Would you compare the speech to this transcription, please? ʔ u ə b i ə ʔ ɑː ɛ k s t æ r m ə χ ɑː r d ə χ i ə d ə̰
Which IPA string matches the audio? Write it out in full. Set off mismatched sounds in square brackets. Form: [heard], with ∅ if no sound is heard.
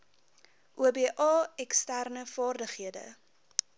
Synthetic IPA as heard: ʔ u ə b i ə ʔ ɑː ɛ k s t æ r [n] ə [f] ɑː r d ə χ i ə d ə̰